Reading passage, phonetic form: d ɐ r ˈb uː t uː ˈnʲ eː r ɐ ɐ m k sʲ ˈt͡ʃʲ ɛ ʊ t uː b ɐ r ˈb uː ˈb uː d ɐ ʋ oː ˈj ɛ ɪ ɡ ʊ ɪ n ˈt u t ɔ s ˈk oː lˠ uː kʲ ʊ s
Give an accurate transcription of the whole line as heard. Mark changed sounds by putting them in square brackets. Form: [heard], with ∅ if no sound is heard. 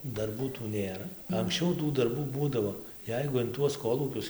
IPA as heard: d ɐ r ˈb uː t uː ˈnʲ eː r ɐ ɐ [ŋ] k sʲ ˈt͡ʃʲ ɛ ʊ t uː [d] ɐ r ˈb uː ˈb uː d ɐ ʋ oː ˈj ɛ ɪ ɡ ʊ ɪ n ˈt u [∅] ɔ s ˈk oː lˠ uː kʲ ʊ s